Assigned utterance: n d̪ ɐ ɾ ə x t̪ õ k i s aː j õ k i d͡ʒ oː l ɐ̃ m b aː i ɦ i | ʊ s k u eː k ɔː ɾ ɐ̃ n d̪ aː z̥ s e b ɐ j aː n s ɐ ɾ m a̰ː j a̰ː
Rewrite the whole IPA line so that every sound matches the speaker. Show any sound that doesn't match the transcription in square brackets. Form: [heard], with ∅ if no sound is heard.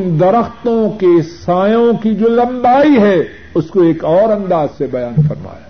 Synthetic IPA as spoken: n d̪ ɐ ɾ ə x t̪ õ k [e] s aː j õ k i d͡ʒ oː l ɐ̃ m b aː i ɦ [ɛ] | ʊ s k [o] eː k ɔː ɾ ɐ̃ n d̪ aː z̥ s e b ɐ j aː n [f] ɐ ɾ m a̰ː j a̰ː